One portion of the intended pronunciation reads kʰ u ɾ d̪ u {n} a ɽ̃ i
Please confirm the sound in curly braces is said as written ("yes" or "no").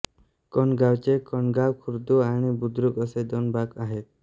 no